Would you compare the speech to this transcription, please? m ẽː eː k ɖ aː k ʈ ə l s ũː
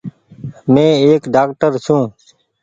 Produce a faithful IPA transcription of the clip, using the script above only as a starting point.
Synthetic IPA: m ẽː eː k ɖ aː k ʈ ə ɾ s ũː